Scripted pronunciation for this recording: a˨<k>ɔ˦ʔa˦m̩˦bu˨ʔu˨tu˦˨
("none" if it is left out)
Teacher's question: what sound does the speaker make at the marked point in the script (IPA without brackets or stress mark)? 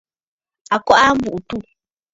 k